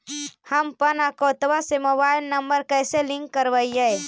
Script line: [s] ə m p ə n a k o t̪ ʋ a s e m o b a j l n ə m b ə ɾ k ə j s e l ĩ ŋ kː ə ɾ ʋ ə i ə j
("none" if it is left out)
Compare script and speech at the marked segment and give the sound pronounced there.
h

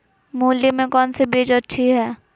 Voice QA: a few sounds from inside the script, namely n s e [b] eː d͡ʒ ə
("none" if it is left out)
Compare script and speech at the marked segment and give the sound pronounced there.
b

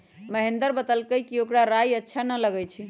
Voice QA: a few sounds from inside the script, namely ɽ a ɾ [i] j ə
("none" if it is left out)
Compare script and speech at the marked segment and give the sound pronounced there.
a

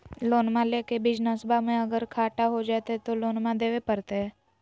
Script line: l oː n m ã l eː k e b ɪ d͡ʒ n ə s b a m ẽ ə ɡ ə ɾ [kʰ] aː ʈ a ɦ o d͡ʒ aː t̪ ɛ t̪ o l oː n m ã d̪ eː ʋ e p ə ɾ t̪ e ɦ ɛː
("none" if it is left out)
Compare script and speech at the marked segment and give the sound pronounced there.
kʰ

